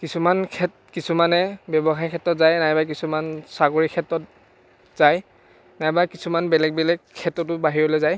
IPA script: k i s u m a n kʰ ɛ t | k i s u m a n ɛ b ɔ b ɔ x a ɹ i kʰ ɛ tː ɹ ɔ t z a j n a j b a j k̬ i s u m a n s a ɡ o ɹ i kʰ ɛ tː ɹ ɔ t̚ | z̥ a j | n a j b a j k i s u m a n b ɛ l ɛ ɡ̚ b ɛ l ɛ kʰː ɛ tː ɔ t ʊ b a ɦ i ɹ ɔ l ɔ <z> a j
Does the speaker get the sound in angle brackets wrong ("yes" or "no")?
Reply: no